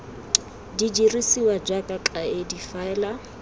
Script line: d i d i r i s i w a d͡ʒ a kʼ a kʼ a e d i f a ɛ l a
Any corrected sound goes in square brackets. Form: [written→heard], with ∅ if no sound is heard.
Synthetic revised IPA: d i [d→d͡ʒ] i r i s i w a d͡ʒ a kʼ a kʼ a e d i f a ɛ l a